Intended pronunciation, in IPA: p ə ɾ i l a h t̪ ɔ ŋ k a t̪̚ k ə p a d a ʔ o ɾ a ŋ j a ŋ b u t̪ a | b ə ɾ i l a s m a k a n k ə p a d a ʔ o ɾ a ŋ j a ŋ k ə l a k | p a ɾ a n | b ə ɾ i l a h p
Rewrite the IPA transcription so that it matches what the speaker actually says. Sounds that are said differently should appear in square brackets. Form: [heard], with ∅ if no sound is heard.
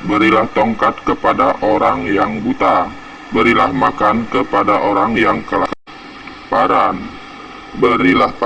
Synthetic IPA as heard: [b] ə ɾ i l a h t̪ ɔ ŋ k a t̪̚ k ə p a d a ʔ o ɾ a ŋ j a ŋ b u t̪ a | b ə ɾ i l a [h] m a k a n k ə p a d a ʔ o ɾ a ŋ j a ŋ k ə l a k | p a ɾ a n | b ə ɾ i l a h p